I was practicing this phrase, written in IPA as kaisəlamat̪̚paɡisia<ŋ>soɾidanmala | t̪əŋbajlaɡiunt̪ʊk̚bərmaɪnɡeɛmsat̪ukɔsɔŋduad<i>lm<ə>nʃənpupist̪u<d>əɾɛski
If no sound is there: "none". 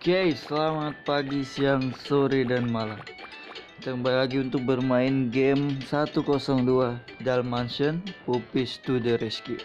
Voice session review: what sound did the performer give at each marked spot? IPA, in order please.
ŋ, a, a, d

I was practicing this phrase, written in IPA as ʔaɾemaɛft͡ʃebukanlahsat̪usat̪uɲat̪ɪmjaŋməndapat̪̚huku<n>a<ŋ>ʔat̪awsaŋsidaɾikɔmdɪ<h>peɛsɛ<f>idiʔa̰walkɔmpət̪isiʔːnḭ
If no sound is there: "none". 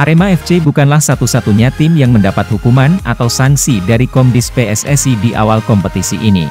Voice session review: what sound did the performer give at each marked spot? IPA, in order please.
m, n, s, s

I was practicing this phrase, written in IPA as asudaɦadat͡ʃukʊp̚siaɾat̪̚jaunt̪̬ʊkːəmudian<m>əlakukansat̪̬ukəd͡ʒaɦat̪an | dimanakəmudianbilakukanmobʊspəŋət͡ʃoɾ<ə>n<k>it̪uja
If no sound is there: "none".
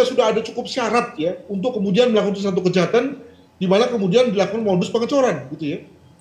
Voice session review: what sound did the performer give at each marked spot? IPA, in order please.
m, a, ɡ

